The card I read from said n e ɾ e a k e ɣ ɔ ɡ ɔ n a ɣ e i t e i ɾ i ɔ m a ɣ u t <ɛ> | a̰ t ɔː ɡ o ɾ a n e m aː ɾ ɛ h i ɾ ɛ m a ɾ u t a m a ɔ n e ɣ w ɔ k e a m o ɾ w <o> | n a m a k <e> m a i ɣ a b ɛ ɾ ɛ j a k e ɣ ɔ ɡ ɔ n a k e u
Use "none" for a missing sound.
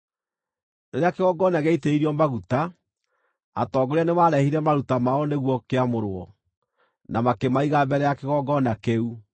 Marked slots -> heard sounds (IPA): a, ɔ, e

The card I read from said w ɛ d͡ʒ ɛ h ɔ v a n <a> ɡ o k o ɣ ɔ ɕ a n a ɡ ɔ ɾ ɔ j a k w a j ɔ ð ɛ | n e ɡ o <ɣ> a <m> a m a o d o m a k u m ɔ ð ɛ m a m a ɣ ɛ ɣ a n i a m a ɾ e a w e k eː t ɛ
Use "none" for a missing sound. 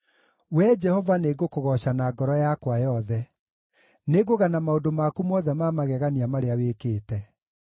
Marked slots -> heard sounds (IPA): e, ɣ, n

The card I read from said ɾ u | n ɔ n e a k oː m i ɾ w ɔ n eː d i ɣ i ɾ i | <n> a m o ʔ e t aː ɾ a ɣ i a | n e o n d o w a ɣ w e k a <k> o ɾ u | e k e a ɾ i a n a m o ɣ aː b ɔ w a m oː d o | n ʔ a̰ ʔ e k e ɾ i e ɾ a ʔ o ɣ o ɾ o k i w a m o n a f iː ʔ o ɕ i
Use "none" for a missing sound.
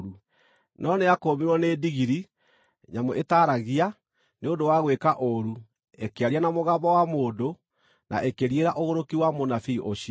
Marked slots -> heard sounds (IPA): ɲ, ʔ

